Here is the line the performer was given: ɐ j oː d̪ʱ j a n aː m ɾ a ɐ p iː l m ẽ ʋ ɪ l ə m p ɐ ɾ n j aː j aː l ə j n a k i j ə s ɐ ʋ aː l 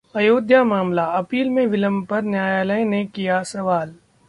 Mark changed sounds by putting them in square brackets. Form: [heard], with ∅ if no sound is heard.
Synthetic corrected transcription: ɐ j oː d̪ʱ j a [m] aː m [l] a ɐ p iː l m ẽ ʋ ɪ l ə m p ɐ ɾ n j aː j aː l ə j n [e] k i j [a] s ɐ ʋ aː l